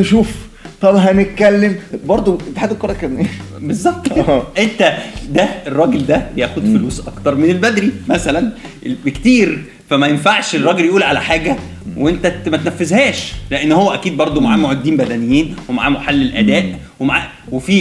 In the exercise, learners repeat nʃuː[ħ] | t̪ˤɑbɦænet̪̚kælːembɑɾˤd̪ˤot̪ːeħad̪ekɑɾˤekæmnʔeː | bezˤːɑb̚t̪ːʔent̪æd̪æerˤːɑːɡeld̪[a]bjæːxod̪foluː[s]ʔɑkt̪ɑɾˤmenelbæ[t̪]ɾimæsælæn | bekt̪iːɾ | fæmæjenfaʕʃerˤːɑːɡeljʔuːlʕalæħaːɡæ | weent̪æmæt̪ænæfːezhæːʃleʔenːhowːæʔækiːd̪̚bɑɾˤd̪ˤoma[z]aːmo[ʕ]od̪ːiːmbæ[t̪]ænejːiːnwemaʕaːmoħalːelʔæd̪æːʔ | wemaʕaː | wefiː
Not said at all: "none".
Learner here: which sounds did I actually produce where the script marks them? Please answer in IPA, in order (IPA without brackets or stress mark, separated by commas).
f, æ, s, d̪, ʕ, ʕ, d̪